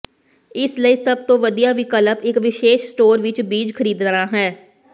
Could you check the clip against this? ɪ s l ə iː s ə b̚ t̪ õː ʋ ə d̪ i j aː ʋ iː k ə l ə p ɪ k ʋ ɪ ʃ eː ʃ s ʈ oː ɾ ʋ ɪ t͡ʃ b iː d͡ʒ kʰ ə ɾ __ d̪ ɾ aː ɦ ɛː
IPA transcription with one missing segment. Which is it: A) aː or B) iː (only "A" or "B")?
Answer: B